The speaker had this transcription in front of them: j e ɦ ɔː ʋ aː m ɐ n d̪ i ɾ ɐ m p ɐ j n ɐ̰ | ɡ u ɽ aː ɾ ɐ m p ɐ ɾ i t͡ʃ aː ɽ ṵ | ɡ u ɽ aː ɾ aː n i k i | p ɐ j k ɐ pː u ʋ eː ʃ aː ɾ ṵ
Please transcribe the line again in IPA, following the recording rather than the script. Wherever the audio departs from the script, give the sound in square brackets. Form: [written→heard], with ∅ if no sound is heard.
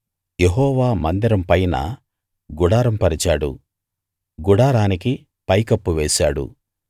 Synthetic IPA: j e ɦ ɔː ʋ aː m ɐ n d̪ i ɾ ɐ m p ɐ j n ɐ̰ | ɡ u ɽ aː ɾ ɐ m p ɐ ɾ i t͡ʃ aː ɽ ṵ | ɡ u ɽ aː ɾ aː n i k i | p ɐ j k ɐ pː u ʋ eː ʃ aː [ɾ→ɽ] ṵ

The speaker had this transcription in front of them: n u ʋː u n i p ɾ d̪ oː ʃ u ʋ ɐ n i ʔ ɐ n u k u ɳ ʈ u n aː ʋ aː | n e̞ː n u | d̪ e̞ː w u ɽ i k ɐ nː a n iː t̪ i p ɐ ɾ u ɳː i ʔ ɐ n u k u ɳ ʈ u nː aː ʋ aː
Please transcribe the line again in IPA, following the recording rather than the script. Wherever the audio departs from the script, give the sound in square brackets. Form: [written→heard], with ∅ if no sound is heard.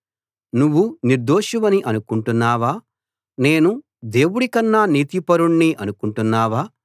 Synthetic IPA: n u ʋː u n i [p→∅] ɾ d̪ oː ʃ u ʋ ɐ n i ʔ ɐ n u k u ɳ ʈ u [n→nː] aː ʋ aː | n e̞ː n u | d̪ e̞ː w u ɽ i k ɐ nː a n iː t̪ i p ɐ ɾ u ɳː i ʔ ɐ n u k u ɳ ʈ u nː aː ʋ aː

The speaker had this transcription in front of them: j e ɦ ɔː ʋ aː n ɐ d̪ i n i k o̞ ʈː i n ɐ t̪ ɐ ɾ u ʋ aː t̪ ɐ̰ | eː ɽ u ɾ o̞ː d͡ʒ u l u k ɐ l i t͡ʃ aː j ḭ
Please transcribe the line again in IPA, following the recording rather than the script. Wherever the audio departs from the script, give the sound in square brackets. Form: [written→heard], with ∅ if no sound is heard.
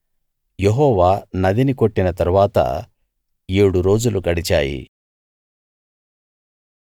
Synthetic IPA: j e ɦ ɔː ʋ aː n ɐ d̪ i n i k o̞ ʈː i n ɐ t̪ ɐ ɾ u ʋ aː t̪ ɐ̰ | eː ɽ u ɾ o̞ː d͡ʒ u l u k ɐ [l→ɽ] i t͡ʃ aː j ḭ

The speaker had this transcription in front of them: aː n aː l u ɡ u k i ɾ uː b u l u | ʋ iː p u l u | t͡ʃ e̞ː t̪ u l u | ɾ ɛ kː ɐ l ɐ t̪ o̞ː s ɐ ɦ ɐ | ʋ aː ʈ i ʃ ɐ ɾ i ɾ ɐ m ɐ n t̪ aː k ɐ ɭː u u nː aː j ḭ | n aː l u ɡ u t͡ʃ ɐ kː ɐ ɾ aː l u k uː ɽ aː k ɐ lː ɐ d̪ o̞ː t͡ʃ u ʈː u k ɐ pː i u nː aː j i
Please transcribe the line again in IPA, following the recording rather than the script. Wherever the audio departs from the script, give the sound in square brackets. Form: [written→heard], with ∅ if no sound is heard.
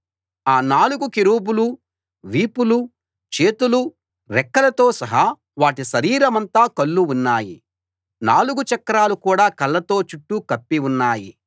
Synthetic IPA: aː n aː l u ɡ u k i ɾ uː b u l u | ʋ iː p u l u | t͡ʃ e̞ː t̪ u l u | ɾ ɛ kː ɐ l ɐ t̪ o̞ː s ɐ ɦ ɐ | ʋ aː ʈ i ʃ ɐ ɾ [i→iː] ɾ ɐ m ɐ n t̪ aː k ɐ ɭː u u nː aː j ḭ | n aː l u ɡ u t͡ʃ ɐ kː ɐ ɾ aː l u k uː ɽ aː k ɐ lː ɐ [d̪→t̪] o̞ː t͡ʃ u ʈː u k ɐ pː i u nː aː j i

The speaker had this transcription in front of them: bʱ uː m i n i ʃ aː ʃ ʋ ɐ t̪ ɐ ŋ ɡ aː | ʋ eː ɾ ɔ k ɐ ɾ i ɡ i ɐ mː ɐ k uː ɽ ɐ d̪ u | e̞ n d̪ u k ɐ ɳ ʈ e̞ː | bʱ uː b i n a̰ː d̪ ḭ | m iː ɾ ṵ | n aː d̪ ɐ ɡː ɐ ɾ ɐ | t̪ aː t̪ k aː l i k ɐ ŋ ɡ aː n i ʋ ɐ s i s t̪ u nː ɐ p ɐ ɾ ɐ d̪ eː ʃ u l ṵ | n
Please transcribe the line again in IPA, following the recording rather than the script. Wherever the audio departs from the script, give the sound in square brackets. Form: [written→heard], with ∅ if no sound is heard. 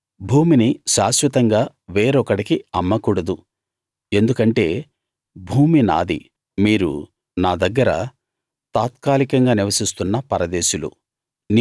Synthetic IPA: bʱ uː m i n i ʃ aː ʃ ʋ ɐ t̪ ɐ ŋ ɡ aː | ʋ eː ɾ ɔ k ɐ [ɾ→ɽ] i [ɡ→k] i ɐ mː ɐ k uː ɽ ɐ d̪ u | e̞ n d̪ u k ɐ ɳ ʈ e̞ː | bʱ uː [b→m] i n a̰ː d̪ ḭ | m iː ɾ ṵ | n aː d̪ ɐ ɡː ɐ ɾ ɐ | t̪ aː t̪ k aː l i k ɐ ŋ ɡ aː n i ʋ ɐ s i s t̪ u nː ɐ p ɐ ɾ ɐ d̪ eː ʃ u l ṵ | n

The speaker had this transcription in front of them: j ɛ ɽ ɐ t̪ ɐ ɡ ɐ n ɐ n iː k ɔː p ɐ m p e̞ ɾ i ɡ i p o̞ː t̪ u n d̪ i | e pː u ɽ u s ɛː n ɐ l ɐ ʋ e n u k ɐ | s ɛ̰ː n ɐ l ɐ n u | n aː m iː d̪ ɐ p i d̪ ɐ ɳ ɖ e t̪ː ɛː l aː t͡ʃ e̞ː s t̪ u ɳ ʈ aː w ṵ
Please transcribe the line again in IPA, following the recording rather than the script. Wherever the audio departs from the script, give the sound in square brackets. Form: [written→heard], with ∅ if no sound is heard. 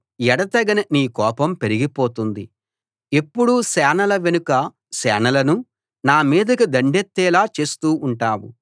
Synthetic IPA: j ɛ ɽ ɐ t̪ ɐ ɡ ɐ n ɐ n iː k ɔː p ɐ m p e̞ ɾ i ɡ i p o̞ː t̪ u n d̪ i | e pː u ɽ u s ɛː n ɐ l ɐ ʋ e n u k ɐ | s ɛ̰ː n ɐ l ɐ n u | n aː m iː d̪ ɐ [p→k] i d̪ ɐ ɳ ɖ e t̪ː ɛː l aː t͡ʃ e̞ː s t̪ [u→uː] ɳ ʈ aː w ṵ

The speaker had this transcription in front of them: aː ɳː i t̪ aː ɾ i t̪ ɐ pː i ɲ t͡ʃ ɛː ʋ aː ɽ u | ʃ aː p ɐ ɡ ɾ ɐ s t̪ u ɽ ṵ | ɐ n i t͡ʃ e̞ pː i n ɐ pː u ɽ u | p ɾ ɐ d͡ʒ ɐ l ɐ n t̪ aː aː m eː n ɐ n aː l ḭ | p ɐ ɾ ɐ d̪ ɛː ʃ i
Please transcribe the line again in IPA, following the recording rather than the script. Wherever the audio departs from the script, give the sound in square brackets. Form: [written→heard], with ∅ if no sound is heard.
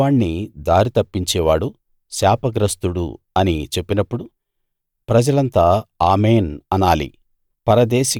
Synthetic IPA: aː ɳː i [t̪→d̪] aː ɾ i t̪ ɐ pː i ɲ t͡ʃ ɛː ʋ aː ɽ u | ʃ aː p ɐ ɡ ɾ ɐ s t̪ u ɽ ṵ | ɐ n i t͡ʃ e̞ pː i n ɐ pː u ɽ u | p ɾ ɐ d͡ʒ ɐ l ɐ n t̪ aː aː m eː n ɐ n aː l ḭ | p ɐ ɾ ɐ d̪ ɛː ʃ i

